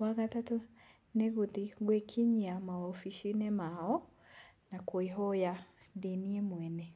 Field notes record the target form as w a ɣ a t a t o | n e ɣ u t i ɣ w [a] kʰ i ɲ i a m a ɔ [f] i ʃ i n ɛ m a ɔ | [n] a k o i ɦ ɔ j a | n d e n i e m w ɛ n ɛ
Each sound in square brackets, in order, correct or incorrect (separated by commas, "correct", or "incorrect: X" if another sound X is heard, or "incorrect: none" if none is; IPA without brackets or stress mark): incorrect: e, correct, correct